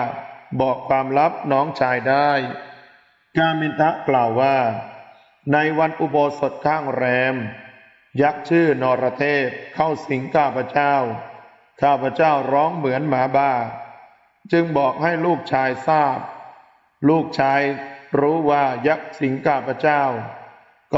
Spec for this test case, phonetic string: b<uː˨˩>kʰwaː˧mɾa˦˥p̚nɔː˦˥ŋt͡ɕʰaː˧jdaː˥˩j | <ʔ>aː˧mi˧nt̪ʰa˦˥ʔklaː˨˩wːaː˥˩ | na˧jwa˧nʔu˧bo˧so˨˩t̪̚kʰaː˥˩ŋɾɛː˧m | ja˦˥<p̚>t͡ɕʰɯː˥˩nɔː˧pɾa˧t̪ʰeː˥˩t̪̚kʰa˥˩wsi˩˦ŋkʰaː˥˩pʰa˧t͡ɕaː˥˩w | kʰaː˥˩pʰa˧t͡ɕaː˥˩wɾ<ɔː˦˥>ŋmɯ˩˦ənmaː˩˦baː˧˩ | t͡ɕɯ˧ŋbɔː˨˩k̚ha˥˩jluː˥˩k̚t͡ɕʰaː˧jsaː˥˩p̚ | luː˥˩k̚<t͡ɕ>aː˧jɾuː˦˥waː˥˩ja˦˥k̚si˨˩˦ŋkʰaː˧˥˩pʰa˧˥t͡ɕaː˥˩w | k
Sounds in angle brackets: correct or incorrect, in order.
incorrect: ɔː˨˩, incorrect: k, incorrect: k̚, correct, incorrect: t͡ɕʰ

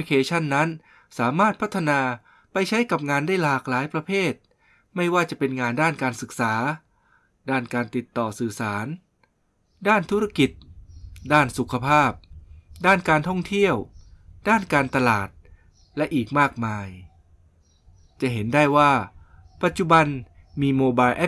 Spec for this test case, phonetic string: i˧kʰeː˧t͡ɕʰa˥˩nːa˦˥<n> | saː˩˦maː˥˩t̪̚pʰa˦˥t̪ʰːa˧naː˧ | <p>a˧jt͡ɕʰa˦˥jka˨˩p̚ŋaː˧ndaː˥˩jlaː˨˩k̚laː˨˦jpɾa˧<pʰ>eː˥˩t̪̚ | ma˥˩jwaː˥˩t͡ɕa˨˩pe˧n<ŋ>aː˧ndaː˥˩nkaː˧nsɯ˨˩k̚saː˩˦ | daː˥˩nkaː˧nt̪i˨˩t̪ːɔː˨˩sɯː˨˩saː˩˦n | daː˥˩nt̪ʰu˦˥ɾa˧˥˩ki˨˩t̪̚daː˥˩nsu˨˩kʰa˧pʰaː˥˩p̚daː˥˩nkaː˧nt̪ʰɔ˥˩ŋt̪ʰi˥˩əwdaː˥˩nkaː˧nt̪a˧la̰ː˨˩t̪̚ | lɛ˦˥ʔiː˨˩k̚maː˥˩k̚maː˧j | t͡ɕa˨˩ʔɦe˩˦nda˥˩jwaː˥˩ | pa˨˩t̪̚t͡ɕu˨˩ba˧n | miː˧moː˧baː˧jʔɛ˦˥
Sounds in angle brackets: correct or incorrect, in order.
correct, correct, correct, correct

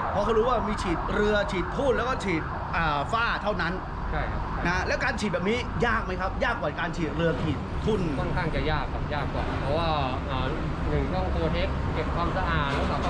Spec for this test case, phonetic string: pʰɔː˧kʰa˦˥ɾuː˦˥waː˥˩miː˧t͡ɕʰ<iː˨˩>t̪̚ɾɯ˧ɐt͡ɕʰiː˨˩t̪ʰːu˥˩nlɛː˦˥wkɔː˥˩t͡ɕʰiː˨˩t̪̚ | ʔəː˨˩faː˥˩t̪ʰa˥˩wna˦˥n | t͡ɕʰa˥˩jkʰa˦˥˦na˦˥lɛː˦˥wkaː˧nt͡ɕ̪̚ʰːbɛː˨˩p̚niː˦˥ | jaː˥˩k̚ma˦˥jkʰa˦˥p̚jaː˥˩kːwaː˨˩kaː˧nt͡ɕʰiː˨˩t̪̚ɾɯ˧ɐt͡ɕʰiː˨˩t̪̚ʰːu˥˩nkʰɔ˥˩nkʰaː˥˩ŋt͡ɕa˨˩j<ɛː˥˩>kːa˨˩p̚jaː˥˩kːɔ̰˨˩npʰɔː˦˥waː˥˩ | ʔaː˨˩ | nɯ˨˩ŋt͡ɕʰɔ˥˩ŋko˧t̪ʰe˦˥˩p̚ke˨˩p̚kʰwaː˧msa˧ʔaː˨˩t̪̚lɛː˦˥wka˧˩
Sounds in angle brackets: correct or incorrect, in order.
correct, incorrect: aː˥˩

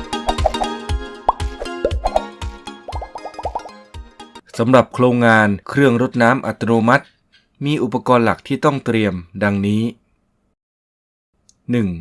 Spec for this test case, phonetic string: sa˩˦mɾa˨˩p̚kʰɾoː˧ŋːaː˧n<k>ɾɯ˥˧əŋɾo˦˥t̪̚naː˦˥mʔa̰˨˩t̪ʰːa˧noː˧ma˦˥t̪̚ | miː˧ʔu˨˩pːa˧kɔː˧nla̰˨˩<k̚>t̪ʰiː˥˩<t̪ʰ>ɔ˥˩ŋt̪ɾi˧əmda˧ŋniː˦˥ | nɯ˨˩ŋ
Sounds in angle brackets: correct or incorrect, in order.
incorrect: kʰ, correct, incorrect: t̪

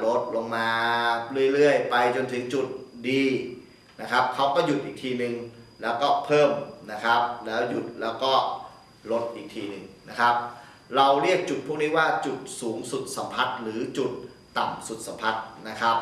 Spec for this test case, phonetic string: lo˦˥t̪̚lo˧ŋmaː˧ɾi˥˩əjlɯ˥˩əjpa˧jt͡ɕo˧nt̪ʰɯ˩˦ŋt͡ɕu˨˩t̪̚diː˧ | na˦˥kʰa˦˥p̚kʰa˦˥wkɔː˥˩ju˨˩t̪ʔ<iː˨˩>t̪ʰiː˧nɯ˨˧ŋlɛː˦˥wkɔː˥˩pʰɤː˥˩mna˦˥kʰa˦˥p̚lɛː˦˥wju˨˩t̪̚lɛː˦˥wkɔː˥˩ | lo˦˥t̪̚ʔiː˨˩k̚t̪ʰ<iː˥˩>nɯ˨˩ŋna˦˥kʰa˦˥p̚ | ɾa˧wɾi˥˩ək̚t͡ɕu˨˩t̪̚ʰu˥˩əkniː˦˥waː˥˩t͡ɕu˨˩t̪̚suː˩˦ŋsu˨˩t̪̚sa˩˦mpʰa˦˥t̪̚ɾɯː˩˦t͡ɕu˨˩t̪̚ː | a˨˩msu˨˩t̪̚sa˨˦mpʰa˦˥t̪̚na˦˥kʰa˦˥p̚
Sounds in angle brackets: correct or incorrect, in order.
correct, incorrect: iː˧

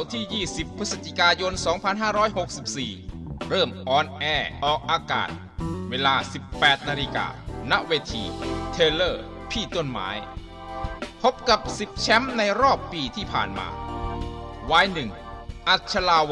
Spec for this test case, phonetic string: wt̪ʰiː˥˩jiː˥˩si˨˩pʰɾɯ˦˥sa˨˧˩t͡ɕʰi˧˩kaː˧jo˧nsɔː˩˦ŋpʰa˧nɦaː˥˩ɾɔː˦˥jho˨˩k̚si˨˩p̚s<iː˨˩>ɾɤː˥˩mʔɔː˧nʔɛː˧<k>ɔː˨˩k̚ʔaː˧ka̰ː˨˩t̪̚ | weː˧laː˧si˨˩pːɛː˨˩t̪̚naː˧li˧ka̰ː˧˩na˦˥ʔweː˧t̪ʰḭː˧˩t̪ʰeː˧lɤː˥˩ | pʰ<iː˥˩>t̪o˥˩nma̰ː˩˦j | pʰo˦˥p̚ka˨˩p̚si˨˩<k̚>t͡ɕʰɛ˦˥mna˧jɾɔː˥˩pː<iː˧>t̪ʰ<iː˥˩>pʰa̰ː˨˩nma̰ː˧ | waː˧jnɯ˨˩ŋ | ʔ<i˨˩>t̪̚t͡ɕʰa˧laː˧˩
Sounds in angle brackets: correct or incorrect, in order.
correct, incorrect: ʔ, correct, incorrect: p̚, correct, correct, incorrect: a˨˩

